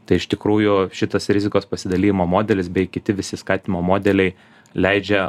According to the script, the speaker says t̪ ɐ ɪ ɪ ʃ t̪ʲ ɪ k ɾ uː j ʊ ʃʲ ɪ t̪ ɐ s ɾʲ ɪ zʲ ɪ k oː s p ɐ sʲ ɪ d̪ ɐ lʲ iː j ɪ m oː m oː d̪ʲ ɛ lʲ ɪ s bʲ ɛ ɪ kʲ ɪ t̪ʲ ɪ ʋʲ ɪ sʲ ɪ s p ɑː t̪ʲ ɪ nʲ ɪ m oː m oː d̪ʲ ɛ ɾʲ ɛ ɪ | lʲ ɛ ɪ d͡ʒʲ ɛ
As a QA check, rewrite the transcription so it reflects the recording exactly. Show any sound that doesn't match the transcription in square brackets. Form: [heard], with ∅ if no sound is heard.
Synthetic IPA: t̪ ɐ ɪ ɪ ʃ t̪ʲ ɪ k ɾ uː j ʊ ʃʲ ɪ t̪ ɐ s ɾʲ ɪ zʲ ɪ k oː s p ɐ sʲ ɪ d̪ ɐ lʲ iː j ɪ m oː m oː d̪ʲ ɛ lʲ ɪ s bʲ ɛ ɪ kʲ ɪ t̪ʲ ɪ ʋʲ ɪ sʲ ɪ s [k] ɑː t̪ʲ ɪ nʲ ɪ m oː m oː d̪ʲ ɛ [lʲ] ɛ ɪ | lʲ ɛ ɪ d͡ʒʲ ɛ